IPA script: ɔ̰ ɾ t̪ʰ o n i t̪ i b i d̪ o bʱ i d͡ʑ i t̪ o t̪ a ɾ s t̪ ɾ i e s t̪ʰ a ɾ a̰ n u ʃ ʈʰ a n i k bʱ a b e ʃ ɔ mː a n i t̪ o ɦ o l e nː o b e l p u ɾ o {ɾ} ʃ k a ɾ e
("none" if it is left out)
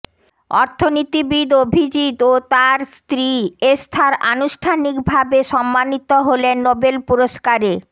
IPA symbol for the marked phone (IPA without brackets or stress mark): none